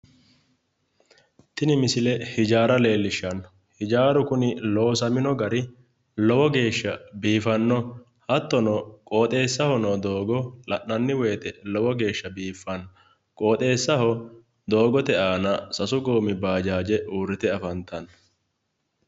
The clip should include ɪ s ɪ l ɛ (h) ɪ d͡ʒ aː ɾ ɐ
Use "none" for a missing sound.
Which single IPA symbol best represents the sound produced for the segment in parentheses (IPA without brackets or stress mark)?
h